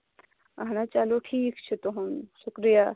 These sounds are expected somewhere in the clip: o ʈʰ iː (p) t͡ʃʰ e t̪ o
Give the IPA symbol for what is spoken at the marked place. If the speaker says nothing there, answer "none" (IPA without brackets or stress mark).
k